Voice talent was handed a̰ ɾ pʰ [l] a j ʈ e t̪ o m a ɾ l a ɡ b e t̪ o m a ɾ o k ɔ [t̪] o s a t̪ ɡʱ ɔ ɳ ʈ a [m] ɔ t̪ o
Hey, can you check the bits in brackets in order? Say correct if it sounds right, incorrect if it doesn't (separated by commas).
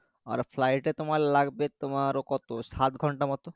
correct, correct, correct